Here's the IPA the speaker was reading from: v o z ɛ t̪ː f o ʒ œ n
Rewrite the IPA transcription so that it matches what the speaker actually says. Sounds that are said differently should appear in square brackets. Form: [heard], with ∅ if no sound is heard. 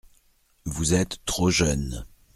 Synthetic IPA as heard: v [u] z ɛ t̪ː [χ] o ʒ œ n

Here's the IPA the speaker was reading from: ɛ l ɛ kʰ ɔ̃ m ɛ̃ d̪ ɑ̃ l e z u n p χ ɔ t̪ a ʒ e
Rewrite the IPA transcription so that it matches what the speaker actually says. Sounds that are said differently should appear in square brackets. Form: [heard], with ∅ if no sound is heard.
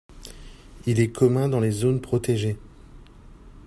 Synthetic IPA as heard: [i] l ɛ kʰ [ɔ] m ɛ̃ d̪ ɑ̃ l e z [o] n p χ ɔ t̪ [e] ʒ e

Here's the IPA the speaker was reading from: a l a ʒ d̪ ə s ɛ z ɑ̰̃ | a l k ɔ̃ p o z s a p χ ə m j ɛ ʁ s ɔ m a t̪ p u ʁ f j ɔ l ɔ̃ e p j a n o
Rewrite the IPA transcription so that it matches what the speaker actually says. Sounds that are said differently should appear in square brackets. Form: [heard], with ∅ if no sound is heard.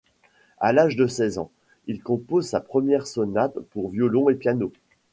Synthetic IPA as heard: a l a ʒ d̪ ə s ɛ z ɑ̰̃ | [i] l k ɔ̃ p o z s a p χ ə m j ɛ ʁ s ɔ [n] a t̪ p u ʁ [v] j ɔ l ɔ̃ e p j a n o

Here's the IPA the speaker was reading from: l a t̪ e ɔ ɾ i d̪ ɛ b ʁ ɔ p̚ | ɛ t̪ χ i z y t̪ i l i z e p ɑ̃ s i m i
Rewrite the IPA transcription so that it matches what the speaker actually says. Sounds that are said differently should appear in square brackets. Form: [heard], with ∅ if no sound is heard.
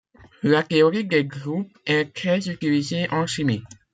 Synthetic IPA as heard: l a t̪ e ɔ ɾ i d̪ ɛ [ɡ] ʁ [u] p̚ | ɛ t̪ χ [ɛ] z y t̪ i l i z e [ʔ] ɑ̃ [ʃ] i m i

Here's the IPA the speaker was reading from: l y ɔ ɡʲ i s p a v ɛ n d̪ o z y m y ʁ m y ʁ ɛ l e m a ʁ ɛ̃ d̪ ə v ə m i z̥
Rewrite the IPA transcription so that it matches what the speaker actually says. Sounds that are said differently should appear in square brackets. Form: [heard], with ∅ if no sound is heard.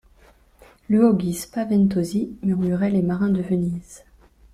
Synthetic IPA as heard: l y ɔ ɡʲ i s p a v ɛ n [t̪] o z [i] m y ʁ m y ʁ ɛ l e m a ʁ ɛ̃ d̪ ə v ə [n] i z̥

